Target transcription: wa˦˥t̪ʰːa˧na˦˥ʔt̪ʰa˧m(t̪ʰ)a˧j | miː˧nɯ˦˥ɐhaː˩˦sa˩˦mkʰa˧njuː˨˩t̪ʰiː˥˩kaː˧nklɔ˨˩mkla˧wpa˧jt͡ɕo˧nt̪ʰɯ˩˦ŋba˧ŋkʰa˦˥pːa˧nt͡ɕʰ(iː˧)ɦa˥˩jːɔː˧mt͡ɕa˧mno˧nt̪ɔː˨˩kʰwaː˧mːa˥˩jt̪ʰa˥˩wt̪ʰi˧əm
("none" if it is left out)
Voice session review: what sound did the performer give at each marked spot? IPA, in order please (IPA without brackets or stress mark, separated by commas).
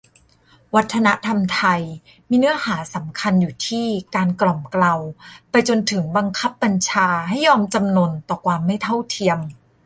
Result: t̪ʰ, aː˧